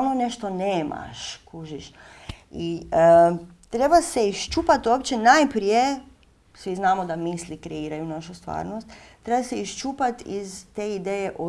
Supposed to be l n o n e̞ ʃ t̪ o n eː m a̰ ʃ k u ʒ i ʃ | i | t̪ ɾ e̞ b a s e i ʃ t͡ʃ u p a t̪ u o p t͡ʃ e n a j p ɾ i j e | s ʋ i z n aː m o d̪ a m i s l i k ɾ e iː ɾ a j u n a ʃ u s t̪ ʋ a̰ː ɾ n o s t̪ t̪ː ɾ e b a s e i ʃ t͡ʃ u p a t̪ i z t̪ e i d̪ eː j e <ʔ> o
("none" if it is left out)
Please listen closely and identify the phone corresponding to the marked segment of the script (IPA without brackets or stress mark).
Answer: ʔ